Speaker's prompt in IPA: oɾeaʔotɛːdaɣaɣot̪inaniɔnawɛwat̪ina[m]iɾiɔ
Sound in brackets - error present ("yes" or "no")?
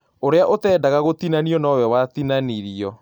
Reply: yes